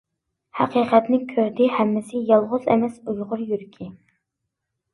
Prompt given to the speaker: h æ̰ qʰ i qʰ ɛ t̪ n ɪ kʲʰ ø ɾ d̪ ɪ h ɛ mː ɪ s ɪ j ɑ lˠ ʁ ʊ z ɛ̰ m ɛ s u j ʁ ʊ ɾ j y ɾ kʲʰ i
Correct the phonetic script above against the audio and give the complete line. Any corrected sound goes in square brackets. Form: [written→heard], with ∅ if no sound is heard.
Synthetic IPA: h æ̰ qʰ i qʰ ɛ t̪ n ɪ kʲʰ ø ɾ d̪ ɪ h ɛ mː ɪ s ɪ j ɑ lˠ ʁ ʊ z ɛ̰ m ɛ s u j ʁ ʊ ɾ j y ɾ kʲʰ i